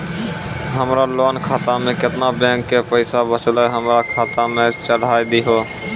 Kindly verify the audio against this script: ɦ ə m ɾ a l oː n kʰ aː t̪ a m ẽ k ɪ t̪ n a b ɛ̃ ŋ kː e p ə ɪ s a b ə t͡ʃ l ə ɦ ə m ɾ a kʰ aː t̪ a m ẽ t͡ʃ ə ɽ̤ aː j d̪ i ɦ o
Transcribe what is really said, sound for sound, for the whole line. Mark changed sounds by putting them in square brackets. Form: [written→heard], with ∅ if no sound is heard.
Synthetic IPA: ɦ ə m ɾ a l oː n kʰ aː t̪ a m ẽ k ɪ t̪ n a b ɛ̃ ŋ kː e p ə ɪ s a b ə t͡ʃ l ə ɦ ə m ɾ a kʰ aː t̪ a m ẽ t͡ʃ ə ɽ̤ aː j d̪ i ɦ o

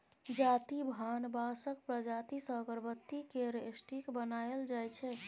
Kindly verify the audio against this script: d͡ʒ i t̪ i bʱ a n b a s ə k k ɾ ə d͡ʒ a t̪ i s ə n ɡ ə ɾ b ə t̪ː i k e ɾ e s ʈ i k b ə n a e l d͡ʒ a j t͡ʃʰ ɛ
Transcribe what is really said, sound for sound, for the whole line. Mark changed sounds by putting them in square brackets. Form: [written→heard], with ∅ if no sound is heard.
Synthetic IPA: d͡ʒ [i→a] t̪ i bʱ a n b a s ə k [k→p] ɾ ə d͡ʒ a t̪ i s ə [n→∅] ɡ ə ɾ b ə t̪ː i k e ɾ e s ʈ i k b ə n a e l d͡ʒ a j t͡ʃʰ ɛ

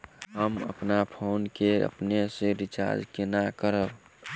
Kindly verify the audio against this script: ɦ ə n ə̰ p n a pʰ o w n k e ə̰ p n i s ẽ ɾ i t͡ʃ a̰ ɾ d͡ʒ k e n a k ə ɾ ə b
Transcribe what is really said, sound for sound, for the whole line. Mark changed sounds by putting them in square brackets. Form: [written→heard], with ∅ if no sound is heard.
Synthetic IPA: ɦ ə [n→m] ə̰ p n a pʰ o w n k e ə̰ p n [i→e] s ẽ ɾ i t͡ʃ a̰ ɾ d͡ʒ k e n a k ə ɾ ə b

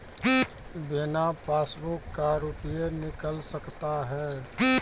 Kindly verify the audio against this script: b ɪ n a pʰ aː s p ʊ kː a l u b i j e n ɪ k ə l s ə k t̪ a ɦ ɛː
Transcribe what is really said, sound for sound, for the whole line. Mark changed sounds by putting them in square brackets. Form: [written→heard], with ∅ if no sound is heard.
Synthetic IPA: b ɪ n a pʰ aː s [p→b] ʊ kː a [l→ɾ] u [b→p] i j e n ɪ k ə l s ə k t̪ a ɦ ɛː

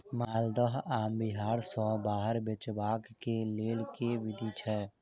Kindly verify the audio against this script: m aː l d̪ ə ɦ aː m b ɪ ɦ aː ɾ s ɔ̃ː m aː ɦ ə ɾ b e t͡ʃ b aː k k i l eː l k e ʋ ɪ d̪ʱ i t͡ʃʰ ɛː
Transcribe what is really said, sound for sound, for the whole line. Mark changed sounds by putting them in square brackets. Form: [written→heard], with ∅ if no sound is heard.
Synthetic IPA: m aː l d̪ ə ɦ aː m b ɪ ɦ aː ɾ s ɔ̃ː [m→b] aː ɦ ə ɾ b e t͡ʃ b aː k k [i→e] l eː l k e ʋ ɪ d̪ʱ i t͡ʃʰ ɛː

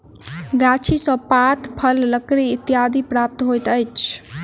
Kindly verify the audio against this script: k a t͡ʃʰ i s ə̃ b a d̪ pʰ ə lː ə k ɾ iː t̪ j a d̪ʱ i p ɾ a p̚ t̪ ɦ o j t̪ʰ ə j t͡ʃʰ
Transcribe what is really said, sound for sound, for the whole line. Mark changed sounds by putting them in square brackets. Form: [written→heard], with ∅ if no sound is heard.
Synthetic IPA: [k→ɡ] a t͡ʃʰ i s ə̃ [b→p] a [d̪→t̪] pʰ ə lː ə k ɾ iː t̪ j a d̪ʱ i p ɾ a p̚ t̪ ɦ o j [t̪ʰ→t̪] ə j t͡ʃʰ

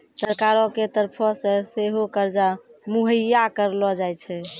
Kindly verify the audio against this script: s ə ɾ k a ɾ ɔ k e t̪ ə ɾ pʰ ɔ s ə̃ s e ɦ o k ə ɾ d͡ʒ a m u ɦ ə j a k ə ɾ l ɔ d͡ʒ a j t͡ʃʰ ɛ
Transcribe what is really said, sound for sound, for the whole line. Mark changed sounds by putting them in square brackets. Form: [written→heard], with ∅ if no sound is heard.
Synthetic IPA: s ə ɾ k a ɾ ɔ k e t̪ ə ɾ pʰ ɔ s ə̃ s e ɦ o k ə ɾ d͡ʒ a m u ɦ ə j a k ə ɾ l ɔ d͡ʒ a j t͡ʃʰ ɛ

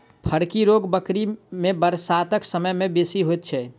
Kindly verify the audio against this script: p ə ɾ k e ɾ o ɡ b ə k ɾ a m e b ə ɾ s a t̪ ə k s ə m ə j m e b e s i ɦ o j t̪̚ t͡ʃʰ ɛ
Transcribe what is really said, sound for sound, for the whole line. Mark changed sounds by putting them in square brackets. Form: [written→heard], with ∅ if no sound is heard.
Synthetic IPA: [p→pʰ] ə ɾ k [e→i] ɾ o ɡ b ə k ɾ [a→i] m e b ə ɾ s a t̪ ə k s ə m ə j m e b e s i ɦ o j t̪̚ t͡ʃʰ ɛ

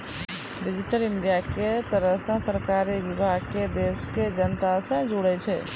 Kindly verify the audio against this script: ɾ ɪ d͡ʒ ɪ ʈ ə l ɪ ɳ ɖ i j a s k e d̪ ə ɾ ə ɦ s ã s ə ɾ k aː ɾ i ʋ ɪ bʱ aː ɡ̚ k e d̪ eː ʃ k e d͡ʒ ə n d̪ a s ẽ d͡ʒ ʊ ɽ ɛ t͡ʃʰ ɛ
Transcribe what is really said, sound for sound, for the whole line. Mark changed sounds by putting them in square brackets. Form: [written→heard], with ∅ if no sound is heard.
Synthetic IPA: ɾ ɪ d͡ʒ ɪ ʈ ə l ɪ ɳ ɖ i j a [s→∅] k e [d̪→t̪] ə ɾ ə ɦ s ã s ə ɾ k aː ɾ i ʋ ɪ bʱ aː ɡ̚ k e d̪ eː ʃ k e d͡ʒ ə n [d̪→t̪] a s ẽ d͡ʒ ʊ ɽ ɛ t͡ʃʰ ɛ

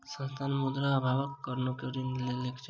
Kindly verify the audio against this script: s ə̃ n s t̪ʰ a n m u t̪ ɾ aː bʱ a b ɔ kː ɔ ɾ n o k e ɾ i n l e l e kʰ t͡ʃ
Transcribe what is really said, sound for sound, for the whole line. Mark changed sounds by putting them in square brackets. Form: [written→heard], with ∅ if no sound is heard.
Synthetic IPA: s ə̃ n s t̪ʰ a n m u [t̪→d̪] ɾ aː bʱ a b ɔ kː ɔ ɾ n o k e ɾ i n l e l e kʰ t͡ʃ

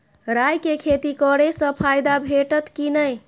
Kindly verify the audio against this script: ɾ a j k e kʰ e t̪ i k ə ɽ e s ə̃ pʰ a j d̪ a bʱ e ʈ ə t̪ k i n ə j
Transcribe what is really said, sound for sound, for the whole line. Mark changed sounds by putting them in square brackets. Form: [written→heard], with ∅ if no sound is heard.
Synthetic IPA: ɾ a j k e kʰ e t̪ i k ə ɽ e s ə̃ pʰ a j d̪ a bʱ e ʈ ə t̪ k i n ə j

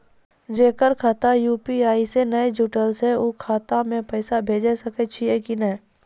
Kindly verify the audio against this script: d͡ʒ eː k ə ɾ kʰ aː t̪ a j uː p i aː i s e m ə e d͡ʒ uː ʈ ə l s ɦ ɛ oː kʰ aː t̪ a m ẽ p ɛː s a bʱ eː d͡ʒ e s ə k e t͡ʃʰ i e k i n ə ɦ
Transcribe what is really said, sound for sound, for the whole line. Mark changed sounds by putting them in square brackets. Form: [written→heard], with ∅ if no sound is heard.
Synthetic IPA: d͡ʒ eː k ə ɾ kʰ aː t̪ a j uː p i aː i s e [m→n] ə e d͡ʒ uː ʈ ə l s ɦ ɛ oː kʰ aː t̪ a m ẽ p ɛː s a bʱ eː d͡ʒ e s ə k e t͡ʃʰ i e k i n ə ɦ

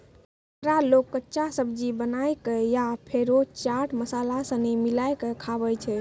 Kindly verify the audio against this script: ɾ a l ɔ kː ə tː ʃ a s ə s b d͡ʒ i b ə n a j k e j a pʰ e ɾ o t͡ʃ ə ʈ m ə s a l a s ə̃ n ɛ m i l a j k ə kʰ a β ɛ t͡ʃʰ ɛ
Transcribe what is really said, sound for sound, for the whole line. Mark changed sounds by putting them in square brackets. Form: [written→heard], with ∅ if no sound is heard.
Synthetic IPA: ɾ a l [ɔ→o] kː ə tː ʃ a s ə [s→∅] b d͡ʒ i b ə n a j k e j a pʰ e ɾ o t͡ʃ [ə→a] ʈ m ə s a l a s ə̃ n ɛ m i l a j k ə kʰ a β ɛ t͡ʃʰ ɛ

